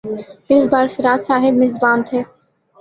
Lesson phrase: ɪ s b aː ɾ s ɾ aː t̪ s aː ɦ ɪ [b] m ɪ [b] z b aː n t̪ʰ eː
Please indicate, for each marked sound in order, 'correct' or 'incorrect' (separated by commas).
correct, incorrect